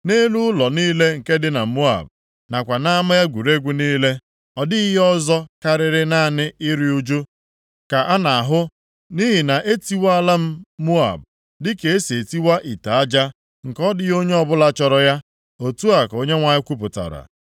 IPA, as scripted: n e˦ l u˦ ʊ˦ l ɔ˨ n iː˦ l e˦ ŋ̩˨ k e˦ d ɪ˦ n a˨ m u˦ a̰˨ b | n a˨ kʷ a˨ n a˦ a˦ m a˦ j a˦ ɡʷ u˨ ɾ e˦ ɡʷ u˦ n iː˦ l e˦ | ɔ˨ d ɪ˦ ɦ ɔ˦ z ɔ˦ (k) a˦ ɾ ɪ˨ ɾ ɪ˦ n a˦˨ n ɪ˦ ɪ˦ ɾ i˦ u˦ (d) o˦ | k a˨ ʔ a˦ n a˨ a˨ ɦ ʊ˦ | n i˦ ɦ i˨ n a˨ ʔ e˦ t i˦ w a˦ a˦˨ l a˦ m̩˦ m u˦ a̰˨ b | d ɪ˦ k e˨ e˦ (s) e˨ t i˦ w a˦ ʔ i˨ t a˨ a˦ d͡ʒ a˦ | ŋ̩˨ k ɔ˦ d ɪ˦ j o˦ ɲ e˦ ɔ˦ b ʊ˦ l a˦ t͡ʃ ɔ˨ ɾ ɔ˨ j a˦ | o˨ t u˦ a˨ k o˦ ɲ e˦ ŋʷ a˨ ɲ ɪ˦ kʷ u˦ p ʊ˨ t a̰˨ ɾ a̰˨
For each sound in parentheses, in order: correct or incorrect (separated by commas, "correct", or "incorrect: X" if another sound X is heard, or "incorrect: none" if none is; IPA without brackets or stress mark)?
correct, incorrect: d͡ʒ, correct